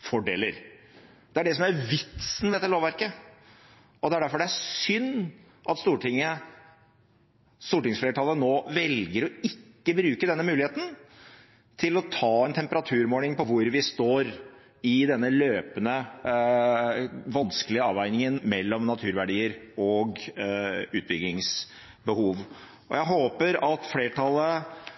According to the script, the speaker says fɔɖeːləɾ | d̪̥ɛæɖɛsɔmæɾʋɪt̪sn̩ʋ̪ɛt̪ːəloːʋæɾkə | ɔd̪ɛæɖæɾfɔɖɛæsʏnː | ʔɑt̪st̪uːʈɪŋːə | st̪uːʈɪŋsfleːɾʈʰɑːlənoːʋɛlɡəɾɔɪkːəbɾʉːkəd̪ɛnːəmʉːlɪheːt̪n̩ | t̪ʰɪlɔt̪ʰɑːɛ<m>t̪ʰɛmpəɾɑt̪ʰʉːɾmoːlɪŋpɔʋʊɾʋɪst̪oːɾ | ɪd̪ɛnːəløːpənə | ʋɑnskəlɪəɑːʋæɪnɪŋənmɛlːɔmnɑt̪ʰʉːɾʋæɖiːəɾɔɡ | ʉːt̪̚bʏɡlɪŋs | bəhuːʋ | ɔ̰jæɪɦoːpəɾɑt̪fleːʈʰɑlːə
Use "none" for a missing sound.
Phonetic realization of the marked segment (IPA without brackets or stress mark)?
n